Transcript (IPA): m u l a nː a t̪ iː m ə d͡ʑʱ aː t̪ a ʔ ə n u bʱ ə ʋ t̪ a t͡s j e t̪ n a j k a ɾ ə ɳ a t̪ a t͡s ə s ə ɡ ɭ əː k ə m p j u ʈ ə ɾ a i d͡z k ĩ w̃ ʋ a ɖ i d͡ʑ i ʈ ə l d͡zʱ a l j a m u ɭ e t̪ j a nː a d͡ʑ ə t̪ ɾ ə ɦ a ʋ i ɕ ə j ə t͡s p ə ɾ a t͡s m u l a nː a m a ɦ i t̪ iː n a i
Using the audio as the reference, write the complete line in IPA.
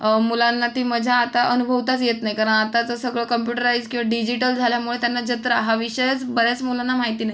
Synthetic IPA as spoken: m u l a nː a t̪ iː m ə d͡ʑʱ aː t̪ a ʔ ə n u bʱ ə ʋ t̪ a t͡s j e t̪ n a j k a ɾ ə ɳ a t̪ a t͡s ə s ə ɡ ɭ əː k ə m p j u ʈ ə ɾ a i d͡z k ĩ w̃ ʋ a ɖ i d͡ʑ i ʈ ə l d͡zʱ a l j a m u ɭ e t̪ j a nː a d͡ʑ ə t̪ ɾ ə ɦ a ʋ i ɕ ə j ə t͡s b ə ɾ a t͡s m u l a nː a m a ɦ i t̪ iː n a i